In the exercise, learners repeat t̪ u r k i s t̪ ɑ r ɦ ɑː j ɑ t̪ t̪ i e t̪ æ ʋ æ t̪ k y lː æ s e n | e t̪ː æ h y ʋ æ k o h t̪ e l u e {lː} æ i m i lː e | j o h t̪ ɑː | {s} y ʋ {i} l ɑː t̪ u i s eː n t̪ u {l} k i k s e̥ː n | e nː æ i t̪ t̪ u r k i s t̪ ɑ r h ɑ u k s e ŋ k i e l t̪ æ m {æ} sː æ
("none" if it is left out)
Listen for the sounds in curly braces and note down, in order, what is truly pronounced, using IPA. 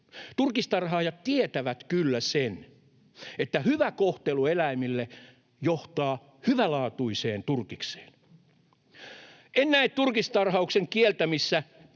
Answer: l, h, æ, r, i

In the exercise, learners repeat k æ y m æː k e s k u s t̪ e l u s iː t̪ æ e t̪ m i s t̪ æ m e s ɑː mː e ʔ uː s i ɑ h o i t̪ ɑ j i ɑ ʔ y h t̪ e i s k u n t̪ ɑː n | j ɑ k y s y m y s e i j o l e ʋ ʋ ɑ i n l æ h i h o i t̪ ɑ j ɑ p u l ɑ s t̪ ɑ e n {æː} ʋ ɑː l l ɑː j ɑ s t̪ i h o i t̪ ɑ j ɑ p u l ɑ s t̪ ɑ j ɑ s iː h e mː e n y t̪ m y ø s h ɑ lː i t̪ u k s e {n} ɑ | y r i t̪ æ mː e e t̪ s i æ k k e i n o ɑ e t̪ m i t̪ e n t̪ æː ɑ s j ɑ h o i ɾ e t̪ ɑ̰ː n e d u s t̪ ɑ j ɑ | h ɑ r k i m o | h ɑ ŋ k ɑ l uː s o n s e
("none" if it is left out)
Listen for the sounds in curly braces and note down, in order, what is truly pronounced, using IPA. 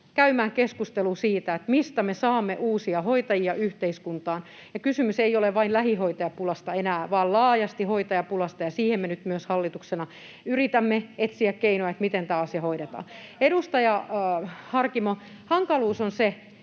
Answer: æː, n

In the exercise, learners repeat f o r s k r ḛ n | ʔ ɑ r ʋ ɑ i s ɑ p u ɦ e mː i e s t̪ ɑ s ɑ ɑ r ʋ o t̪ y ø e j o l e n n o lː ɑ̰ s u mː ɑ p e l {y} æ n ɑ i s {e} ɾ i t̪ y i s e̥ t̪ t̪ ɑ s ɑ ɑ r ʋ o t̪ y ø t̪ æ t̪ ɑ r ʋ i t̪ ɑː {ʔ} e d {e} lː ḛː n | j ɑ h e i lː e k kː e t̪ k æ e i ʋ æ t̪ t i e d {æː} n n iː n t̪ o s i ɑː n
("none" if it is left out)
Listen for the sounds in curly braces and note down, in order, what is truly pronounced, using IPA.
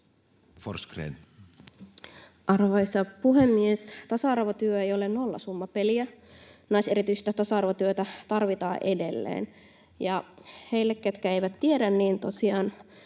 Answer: i, e, ʔ, e, æ

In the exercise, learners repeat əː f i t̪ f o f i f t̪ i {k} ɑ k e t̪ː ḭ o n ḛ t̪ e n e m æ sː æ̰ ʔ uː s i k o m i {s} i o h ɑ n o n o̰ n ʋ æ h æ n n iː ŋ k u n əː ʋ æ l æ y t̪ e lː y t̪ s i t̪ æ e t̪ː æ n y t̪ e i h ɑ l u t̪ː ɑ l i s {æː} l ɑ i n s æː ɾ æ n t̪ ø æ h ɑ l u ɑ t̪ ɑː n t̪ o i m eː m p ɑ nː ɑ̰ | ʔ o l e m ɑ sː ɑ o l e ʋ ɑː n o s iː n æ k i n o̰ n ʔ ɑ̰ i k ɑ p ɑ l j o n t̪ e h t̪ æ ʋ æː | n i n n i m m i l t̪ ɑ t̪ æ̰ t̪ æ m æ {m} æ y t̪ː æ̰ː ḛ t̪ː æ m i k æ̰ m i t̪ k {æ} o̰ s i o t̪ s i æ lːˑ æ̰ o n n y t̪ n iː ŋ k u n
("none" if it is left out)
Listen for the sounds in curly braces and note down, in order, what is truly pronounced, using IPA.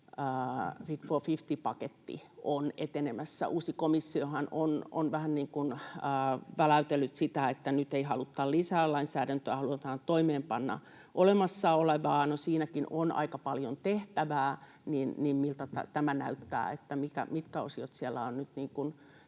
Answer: p, sː, æː, n, æ

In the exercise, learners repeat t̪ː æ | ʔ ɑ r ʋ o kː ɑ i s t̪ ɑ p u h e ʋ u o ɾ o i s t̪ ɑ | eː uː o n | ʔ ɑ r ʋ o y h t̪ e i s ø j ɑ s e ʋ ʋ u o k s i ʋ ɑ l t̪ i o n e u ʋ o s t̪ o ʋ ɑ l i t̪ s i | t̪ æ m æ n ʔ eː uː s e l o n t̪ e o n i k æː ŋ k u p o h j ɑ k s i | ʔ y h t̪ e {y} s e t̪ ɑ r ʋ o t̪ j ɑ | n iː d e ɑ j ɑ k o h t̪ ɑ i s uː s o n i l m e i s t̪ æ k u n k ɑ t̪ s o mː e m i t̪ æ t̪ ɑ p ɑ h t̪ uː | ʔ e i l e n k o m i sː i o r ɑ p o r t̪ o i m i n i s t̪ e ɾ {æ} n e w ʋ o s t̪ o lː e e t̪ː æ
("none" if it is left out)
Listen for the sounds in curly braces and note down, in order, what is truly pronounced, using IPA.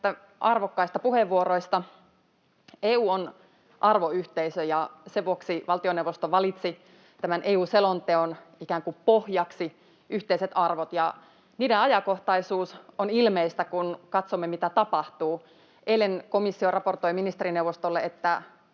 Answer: i, i

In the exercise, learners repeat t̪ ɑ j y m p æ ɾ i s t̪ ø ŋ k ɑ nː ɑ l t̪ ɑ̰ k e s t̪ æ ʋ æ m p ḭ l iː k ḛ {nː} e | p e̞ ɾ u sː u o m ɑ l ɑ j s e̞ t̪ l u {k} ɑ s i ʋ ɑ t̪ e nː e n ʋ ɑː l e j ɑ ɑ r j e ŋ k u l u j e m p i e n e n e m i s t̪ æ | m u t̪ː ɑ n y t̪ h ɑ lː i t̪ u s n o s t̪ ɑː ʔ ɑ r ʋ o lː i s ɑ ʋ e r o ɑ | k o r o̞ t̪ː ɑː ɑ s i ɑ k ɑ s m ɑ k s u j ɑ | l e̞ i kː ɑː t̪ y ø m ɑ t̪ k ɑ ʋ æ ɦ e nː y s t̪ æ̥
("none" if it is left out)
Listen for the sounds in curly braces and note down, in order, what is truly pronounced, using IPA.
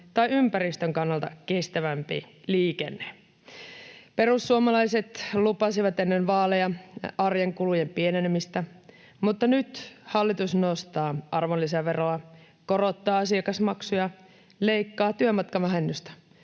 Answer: nː, p

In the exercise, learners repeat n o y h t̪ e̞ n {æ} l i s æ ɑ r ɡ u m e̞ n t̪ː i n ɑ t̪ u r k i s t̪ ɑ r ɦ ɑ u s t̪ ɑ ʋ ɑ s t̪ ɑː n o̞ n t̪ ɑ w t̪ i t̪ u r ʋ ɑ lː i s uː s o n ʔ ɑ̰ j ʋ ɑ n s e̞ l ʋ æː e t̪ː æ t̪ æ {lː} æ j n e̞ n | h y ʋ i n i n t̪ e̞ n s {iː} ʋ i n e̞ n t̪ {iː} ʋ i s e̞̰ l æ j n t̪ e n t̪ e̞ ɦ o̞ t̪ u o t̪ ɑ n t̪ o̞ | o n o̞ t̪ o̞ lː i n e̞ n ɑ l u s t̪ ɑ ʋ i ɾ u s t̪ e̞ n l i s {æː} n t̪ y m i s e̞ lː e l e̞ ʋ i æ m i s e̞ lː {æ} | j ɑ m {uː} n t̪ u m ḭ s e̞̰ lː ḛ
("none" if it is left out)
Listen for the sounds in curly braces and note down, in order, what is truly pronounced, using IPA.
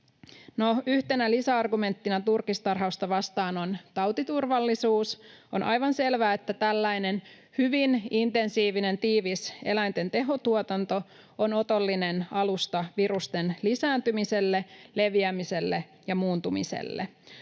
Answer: æ, lː, iː, iː, æː, e, uː

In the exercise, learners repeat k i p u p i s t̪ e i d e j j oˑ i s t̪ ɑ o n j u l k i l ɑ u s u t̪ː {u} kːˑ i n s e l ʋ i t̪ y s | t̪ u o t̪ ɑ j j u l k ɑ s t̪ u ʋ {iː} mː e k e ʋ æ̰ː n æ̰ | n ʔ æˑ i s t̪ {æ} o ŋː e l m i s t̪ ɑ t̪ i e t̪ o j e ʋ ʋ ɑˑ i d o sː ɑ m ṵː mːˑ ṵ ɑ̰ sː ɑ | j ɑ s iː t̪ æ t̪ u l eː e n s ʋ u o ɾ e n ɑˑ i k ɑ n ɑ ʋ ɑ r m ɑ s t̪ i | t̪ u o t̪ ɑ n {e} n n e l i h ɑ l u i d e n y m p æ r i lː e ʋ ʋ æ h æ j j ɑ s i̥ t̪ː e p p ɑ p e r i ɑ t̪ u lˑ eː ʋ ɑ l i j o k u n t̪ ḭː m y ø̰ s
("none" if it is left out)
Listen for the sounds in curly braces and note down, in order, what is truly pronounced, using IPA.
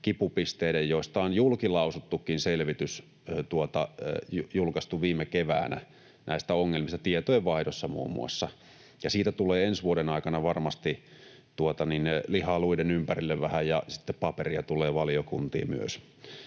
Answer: u, iː, æ, i

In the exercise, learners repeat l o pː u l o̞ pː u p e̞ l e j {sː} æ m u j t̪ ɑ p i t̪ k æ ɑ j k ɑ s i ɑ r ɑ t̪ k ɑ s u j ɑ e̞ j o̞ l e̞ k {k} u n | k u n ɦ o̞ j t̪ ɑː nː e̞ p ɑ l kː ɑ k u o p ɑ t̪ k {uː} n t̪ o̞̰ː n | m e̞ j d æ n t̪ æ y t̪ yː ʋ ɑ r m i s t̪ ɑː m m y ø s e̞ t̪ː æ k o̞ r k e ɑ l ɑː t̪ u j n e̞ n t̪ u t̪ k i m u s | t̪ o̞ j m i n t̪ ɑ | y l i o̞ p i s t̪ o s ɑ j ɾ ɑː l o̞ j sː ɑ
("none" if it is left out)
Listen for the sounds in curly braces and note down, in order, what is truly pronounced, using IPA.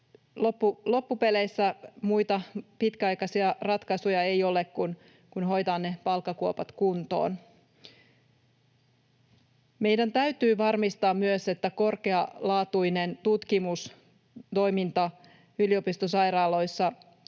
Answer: sː, k, u

